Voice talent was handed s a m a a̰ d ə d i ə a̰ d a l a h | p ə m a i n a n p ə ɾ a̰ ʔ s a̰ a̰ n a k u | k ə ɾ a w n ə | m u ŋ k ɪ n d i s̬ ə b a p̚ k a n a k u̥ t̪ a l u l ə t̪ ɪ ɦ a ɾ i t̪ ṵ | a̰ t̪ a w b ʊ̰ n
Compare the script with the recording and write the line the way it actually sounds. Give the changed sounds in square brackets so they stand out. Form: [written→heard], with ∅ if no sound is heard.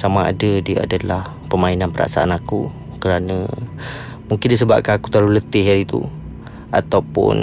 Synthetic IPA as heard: s a m a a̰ d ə d i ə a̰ d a l a h | p ə m a i n a n p ə ɾ a̰ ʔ s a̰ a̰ n a k u | k ə ɾ a [w→∅] n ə | m u ŋ k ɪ n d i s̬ ə b a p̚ k a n a k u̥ t̪ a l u l ə t̪ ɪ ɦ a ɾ i t̪ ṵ | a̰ t̪ a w [b→p] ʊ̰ n